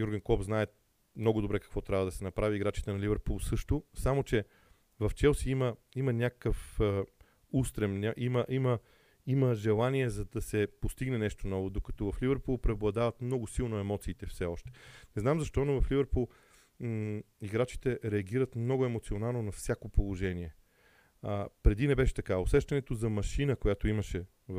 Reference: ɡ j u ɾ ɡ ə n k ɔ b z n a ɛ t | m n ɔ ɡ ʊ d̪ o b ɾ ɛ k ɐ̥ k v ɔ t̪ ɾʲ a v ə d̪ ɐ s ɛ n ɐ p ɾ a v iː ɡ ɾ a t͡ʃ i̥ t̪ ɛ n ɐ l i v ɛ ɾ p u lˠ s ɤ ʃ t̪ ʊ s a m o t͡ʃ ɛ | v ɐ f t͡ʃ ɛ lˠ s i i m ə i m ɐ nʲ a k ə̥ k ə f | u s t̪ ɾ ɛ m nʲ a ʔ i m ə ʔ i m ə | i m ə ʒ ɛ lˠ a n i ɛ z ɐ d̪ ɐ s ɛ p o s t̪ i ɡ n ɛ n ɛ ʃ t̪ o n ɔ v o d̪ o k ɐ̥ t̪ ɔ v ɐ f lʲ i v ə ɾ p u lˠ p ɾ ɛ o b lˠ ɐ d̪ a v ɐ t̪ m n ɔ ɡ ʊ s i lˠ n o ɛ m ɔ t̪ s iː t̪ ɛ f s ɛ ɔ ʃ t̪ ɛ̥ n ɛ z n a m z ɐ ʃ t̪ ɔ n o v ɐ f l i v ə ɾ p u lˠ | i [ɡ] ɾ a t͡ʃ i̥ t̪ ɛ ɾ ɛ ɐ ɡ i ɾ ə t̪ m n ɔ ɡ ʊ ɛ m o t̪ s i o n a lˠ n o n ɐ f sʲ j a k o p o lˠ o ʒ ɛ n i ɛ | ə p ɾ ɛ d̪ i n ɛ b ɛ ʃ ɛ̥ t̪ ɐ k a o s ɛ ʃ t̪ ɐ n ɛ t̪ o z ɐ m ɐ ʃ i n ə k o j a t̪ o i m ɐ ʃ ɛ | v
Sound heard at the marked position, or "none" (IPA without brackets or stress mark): ɡ